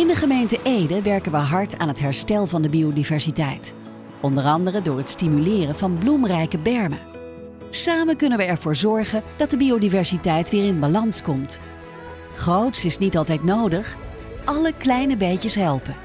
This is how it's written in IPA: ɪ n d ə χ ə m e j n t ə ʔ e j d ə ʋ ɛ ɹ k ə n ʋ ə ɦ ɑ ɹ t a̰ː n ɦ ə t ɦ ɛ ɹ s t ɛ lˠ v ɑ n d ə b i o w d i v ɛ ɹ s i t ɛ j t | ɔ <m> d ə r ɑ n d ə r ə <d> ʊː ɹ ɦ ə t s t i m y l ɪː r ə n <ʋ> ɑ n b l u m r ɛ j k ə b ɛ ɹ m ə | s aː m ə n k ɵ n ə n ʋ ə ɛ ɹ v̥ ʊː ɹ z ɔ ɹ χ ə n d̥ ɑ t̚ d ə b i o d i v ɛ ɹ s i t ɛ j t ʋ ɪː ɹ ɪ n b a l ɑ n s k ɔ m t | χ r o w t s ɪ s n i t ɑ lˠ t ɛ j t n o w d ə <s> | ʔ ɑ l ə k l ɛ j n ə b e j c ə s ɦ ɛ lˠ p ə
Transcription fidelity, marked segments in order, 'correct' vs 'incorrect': incorrect, correct, incorrect, incorrect

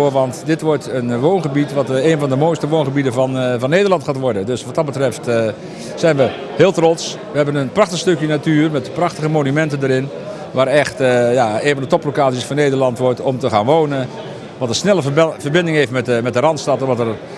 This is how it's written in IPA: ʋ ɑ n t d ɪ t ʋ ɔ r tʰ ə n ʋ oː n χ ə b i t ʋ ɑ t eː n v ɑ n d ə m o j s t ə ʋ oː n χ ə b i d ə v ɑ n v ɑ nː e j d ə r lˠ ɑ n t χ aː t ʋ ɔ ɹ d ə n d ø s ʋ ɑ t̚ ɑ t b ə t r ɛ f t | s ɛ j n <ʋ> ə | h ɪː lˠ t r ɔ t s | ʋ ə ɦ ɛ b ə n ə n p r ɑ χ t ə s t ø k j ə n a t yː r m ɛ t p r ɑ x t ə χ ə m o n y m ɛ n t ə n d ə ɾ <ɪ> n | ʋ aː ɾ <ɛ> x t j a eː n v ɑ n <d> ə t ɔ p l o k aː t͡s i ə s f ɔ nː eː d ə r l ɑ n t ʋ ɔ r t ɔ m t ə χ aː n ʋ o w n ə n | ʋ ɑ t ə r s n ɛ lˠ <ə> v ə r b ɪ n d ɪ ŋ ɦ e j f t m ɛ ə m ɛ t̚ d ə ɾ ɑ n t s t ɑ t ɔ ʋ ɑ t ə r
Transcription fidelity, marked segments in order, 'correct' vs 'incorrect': correct, correct, correct, correct, correct

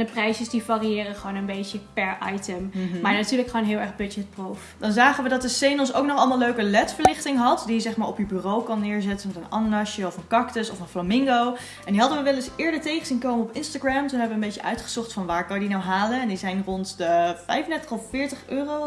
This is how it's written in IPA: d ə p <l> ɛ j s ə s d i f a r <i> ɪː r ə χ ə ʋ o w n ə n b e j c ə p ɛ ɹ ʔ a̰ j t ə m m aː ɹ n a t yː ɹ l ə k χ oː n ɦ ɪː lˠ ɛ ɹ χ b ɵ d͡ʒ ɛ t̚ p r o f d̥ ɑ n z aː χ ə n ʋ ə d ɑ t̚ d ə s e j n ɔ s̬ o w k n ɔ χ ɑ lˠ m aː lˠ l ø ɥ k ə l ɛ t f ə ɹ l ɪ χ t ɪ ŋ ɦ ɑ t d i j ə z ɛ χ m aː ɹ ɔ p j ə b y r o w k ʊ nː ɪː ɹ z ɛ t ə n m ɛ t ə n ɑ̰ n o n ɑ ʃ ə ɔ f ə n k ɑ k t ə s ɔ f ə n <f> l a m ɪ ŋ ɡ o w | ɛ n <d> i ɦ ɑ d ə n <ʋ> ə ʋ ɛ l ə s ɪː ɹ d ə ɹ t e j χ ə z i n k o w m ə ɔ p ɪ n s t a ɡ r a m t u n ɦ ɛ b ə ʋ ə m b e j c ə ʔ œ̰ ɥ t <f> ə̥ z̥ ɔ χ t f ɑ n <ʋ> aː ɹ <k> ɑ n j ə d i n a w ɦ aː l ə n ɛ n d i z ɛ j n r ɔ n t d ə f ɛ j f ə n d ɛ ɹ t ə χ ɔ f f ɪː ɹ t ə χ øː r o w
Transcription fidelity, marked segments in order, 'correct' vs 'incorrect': incorrect, correct, correct, correct, correct, incorrect, correct, correct

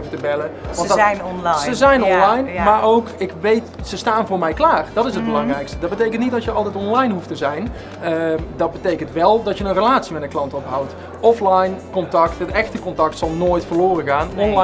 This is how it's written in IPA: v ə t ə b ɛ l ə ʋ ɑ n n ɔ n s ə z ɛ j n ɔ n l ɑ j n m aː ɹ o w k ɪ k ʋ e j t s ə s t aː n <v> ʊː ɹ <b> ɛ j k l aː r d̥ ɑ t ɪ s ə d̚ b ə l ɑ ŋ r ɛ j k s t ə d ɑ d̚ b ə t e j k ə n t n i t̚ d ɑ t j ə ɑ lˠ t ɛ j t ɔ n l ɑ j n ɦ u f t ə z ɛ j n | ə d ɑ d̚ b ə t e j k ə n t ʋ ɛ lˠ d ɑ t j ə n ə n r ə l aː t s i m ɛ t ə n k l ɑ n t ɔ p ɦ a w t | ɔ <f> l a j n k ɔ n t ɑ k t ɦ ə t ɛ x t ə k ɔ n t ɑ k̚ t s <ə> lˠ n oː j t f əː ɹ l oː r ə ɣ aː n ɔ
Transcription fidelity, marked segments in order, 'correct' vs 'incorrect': correct, incorrect, correct, incorrect

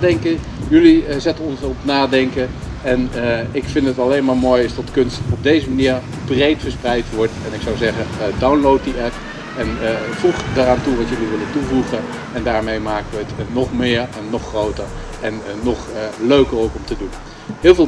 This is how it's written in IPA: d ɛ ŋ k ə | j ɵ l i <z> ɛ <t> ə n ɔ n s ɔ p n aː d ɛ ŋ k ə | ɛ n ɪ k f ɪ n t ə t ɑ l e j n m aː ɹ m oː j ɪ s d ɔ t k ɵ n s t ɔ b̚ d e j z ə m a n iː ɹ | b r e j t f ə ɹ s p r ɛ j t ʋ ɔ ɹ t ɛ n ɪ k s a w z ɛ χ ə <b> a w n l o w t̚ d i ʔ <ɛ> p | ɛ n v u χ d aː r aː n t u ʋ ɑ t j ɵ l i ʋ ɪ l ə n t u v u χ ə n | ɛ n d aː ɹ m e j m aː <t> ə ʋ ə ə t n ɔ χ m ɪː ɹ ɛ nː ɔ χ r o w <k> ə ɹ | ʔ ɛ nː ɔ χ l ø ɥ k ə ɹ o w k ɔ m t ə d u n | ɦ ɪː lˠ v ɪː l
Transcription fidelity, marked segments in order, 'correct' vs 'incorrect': correct, correct, incorrect, correct, incorrect, incorrect

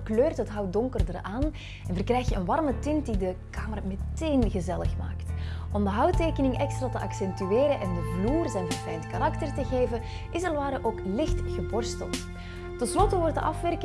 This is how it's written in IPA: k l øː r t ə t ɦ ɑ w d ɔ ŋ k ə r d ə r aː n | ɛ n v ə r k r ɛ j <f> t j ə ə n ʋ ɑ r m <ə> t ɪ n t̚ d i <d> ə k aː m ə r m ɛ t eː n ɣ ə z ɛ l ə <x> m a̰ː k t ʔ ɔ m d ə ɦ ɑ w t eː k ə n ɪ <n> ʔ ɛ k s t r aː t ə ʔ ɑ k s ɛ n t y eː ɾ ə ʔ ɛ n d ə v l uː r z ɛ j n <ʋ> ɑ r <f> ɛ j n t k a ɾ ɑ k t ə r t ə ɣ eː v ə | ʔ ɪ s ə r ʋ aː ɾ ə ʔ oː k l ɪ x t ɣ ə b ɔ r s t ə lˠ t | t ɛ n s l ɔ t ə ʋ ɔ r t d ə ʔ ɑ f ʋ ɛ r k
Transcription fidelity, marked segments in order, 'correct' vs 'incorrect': incorrect, correct, correct, correct, incorrect, incorrect, correct

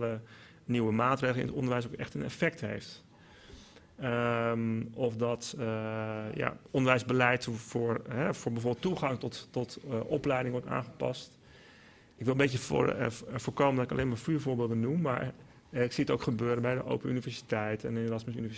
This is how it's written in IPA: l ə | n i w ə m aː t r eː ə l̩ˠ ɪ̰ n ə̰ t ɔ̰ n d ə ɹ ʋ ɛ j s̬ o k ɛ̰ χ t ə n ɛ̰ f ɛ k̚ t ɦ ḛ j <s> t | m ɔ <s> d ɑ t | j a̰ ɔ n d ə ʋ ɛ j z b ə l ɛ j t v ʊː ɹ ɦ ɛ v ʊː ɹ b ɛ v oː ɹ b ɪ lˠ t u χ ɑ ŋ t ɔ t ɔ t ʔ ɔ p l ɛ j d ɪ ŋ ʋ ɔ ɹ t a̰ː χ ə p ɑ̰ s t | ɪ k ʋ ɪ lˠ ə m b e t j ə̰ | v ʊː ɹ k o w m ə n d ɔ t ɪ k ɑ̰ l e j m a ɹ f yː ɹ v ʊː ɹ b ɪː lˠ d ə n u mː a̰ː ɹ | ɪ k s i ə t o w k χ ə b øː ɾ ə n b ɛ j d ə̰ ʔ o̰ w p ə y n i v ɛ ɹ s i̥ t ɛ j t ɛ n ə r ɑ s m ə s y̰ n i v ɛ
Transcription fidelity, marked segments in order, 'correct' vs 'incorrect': incorrect, incorrect

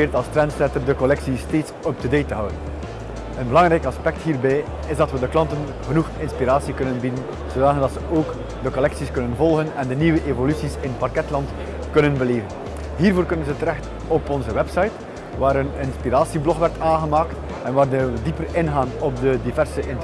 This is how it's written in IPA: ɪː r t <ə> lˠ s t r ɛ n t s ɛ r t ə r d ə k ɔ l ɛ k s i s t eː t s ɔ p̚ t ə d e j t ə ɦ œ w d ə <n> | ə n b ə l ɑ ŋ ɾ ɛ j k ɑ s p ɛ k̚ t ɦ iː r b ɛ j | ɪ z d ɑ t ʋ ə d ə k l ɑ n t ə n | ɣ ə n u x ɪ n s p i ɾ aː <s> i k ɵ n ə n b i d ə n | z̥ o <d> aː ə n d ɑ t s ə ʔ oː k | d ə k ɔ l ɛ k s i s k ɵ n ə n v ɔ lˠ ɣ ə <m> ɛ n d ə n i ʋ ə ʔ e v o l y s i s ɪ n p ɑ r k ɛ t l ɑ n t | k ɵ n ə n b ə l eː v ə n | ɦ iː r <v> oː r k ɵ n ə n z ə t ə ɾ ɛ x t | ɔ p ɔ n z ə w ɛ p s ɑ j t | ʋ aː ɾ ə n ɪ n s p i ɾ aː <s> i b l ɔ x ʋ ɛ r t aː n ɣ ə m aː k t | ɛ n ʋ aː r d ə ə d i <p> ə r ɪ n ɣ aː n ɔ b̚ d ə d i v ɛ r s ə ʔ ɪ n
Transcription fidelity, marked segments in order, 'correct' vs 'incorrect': incorrect, correct, correct, correct, incorrect, correct, correct, correct

